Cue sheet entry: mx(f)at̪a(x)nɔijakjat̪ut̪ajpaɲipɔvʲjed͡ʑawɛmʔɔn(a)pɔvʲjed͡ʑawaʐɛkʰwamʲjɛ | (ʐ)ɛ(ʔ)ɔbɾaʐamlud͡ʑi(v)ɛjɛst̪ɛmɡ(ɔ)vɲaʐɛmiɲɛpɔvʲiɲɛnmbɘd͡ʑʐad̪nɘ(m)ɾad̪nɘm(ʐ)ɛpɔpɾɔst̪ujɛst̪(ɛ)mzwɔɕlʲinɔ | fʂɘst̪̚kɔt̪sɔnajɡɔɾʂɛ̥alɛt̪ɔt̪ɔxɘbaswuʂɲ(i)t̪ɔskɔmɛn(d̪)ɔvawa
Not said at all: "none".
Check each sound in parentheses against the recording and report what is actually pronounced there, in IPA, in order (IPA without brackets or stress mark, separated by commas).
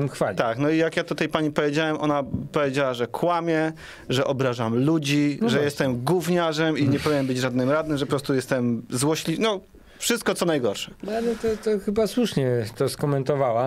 f, k, a, ʐ, ʔ, ʐ, u, m, ʐ, ɛ, ɛ, t̪